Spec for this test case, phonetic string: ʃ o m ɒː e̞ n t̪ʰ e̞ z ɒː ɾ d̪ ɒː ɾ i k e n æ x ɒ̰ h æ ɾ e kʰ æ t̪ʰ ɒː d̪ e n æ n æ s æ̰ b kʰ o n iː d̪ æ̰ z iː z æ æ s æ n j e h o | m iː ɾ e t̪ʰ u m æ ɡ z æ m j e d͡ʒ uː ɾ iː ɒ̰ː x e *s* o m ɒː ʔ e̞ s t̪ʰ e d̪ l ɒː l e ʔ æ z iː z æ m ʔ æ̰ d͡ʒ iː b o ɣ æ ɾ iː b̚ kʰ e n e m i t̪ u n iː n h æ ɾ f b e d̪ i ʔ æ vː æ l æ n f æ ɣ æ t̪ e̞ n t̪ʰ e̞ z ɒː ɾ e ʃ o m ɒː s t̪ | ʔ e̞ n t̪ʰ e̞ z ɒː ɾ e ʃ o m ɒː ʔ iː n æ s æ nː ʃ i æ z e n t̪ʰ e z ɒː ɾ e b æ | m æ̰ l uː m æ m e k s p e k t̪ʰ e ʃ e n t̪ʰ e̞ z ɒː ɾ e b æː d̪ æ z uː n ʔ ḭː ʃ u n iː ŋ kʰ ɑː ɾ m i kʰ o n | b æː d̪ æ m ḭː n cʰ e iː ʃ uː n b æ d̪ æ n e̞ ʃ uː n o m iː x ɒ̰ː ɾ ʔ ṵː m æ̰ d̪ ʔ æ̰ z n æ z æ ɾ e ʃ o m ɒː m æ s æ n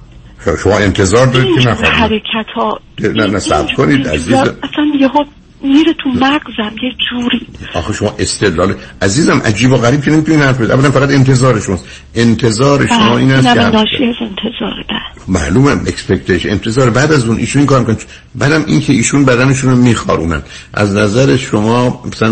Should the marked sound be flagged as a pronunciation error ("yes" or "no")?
yes